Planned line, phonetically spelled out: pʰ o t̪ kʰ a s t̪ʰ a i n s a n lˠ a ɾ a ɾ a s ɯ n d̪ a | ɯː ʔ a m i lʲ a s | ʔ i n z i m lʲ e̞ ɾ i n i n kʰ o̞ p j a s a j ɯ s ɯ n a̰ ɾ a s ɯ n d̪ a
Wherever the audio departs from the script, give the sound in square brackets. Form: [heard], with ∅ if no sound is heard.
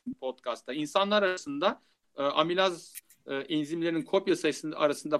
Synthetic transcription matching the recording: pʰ o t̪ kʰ a s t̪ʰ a i n s a n lˠ a ɾ a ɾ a s ɯ n d̪ a | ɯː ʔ a m i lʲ a [z] | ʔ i n z i m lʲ e̞ ɾ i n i n kʰ o̞ p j a s a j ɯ s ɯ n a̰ ɾ a s ɯ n d̪ a